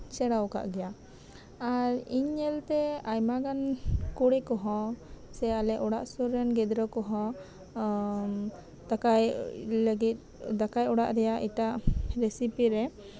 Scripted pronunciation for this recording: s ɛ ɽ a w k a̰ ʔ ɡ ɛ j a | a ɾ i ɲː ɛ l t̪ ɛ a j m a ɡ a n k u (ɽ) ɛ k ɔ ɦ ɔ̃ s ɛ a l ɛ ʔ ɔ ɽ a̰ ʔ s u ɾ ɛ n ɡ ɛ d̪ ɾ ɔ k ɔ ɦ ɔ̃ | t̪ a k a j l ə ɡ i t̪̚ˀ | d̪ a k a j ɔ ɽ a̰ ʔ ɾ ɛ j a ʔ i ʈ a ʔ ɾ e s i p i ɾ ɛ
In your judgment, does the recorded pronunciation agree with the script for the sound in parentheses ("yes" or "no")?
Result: yes